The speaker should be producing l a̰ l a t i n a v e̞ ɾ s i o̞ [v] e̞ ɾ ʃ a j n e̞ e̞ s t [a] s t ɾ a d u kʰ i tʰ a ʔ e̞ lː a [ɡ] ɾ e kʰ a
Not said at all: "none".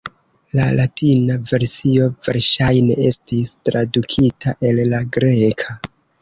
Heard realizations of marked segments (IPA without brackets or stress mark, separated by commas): v, i, ɡ